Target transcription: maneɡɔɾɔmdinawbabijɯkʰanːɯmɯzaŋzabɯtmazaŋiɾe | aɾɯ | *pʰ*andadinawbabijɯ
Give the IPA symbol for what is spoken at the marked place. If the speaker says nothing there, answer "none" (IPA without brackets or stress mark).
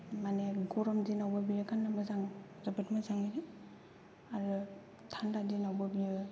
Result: tʰ